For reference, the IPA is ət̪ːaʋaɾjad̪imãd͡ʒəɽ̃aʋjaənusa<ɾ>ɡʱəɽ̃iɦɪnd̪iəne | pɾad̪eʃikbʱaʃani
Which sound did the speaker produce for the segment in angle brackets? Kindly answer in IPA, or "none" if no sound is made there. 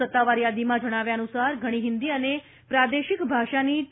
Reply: ɾ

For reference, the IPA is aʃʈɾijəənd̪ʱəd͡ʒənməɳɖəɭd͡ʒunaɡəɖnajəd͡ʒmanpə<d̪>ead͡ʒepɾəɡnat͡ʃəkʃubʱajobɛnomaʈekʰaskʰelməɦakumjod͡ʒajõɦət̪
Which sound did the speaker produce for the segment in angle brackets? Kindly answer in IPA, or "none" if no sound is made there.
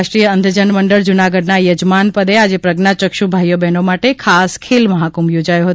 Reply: d̪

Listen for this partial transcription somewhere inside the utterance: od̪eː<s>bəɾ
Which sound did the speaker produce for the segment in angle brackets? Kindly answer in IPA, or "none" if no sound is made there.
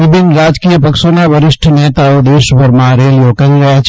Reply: ʃ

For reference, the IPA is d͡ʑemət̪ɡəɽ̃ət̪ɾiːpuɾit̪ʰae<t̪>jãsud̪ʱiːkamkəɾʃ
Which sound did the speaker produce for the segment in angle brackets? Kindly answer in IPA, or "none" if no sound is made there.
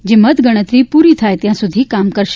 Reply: t̪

